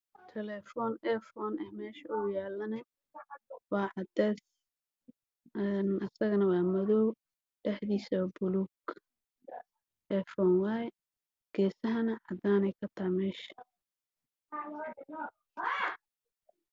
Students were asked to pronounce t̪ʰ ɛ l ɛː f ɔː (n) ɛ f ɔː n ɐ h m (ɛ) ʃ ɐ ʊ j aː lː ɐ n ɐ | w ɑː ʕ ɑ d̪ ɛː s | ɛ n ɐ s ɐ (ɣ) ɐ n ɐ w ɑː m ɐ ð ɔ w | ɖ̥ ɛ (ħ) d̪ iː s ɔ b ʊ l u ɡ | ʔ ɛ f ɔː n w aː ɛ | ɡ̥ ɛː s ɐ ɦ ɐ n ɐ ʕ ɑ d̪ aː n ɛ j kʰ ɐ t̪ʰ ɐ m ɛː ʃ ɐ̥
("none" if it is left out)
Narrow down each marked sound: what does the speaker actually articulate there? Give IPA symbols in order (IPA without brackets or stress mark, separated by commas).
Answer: n, ɛː, ɣ, ħ